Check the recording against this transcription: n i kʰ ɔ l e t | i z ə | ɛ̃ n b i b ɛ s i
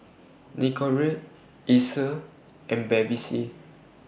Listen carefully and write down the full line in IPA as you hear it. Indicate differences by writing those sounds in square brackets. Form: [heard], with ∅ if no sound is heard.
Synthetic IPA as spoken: n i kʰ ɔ [ɹ] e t | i [s] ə | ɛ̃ n b [ɛ] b [i] s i